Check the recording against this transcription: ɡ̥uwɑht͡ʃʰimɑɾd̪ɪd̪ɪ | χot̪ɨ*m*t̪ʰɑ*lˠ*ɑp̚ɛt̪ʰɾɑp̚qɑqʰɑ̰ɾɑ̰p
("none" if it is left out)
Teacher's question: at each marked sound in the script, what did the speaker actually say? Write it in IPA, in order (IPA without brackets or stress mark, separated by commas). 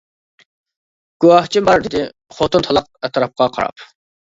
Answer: n, lˠ